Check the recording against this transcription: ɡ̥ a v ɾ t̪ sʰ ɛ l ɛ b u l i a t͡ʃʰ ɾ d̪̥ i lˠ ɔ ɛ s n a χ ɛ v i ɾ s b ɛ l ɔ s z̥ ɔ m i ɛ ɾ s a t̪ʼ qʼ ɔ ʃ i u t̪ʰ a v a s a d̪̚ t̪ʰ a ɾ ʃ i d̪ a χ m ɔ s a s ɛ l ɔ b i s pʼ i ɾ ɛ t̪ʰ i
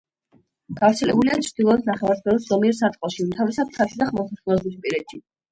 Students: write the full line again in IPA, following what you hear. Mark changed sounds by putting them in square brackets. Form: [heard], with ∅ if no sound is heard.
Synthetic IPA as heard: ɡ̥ a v ɾ t̪ sʰ ɛ l ɛ b u l i a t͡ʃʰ ɾ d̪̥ i lˠ ɔ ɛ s n a χ ɛ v [a] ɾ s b ɛ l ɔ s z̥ ɔ m i ɛ ɾ s a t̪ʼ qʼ ɔ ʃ i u t̪ʰ a v [i] s a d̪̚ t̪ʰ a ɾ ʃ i d̪ a χ m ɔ s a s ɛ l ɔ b i s pʼ i ɾ ɛ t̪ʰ i